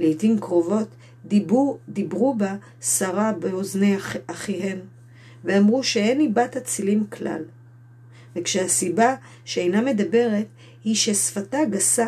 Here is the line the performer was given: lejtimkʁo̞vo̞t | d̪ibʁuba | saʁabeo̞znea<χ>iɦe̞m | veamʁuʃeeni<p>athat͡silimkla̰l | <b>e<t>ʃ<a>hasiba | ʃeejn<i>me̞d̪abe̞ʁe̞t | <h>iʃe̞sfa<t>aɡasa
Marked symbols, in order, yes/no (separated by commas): yes, no, no, no, no, no, yes, yes